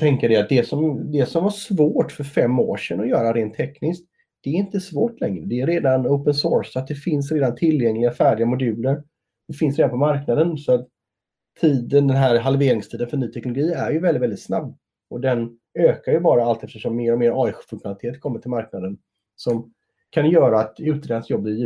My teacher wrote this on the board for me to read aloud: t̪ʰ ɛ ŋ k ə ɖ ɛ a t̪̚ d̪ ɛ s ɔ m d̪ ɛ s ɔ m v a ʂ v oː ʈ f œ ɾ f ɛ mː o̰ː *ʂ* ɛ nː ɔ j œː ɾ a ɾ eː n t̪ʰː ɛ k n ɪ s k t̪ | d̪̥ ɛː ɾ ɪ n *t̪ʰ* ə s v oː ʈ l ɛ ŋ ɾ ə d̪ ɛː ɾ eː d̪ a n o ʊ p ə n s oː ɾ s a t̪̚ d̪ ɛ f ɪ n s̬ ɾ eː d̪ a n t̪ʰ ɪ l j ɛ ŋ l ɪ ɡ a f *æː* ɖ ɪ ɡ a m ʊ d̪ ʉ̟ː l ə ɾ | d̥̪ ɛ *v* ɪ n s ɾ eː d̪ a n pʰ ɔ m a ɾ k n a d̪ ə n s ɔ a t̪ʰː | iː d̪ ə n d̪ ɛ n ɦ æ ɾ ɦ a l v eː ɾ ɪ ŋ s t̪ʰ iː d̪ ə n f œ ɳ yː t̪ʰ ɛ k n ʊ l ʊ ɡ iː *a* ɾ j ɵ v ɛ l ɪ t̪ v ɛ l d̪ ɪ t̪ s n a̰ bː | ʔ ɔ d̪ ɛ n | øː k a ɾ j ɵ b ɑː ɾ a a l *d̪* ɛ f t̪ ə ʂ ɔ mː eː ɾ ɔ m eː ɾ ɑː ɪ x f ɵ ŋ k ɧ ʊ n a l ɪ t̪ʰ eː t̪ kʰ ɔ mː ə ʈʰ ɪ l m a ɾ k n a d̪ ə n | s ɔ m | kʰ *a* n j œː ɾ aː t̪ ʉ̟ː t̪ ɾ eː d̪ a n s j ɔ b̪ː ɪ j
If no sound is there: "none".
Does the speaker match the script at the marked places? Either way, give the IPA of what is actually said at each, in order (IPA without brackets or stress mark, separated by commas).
ʂ, t̪, æː, f, æ, t̪, a